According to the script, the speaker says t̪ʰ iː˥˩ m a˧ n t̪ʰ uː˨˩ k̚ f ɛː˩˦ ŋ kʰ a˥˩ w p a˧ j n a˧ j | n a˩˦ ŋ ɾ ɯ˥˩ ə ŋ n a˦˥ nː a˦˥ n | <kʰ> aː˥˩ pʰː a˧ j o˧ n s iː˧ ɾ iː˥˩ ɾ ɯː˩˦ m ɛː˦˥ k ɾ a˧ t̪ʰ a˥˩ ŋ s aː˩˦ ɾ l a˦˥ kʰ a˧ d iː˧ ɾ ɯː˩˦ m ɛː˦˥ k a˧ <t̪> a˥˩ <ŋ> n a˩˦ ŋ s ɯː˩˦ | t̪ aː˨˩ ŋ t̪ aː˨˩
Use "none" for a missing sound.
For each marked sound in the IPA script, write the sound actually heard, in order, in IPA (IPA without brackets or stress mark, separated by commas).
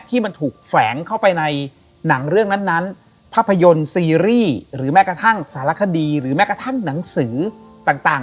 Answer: pʰ, t̪ʰ, ŋ